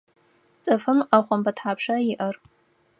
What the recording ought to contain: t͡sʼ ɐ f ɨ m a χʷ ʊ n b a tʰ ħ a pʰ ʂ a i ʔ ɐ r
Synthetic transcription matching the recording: t͡sʼ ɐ f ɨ m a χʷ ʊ m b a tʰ ħ a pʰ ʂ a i ʔ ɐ r